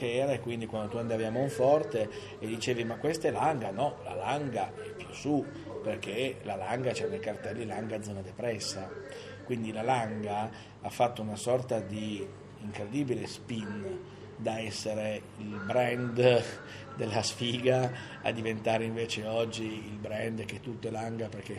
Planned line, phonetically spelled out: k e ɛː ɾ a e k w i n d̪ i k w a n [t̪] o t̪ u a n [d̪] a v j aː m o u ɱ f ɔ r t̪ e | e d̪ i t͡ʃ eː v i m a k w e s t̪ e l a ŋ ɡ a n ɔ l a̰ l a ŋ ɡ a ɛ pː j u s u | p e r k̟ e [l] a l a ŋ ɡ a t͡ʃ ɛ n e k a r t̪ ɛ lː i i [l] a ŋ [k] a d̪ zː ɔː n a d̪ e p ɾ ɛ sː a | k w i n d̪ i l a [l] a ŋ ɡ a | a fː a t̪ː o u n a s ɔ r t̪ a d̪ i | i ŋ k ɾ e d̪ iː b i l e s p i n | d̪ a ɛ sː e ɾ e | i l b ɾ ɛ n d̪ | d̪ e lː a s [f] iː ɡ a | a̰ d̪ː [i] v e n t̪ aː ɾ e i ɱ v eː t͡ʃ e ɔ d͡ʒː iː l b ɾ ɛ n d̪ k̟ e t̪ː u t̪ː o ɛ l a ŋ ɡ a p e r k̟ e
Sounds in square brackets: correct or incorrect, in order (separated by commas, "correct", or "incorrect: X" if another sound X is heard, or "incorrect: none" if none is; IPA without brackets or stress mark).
incorrect: d̪, correct, correct, correct, incorrect: ɡ, correct, correct, correct